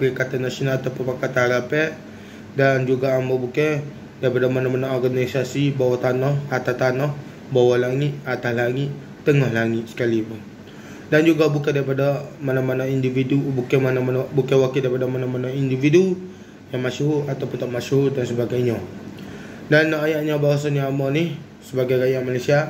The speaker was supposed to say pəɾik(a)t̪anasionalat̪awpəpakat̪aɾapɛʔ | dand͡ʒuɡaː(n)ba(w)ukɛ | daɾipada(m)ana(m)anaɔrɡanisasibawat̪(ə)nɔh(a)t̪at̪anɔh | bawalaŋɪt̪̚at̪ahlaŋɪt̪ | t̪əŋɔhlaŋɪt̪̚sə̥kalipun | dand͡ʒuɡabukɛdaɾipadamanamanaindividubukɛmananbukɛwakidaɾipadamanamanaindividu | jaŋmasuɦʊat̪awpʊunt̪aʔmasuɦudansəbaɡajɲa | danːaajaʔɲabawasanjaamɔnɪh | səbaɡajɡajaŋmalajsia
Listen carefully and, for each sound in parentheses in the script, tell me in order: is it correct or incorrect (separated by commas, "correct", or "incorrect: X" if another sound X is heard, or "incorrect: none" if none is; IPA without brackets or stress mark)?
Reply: correct, incorrect: m, incorrect: b, correct, correct, incorrect: a, correct